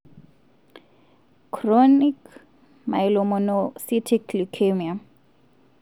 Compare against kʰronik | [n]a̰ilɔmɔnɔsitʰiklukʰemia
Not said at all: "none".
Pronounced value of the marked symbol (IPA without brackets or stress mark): m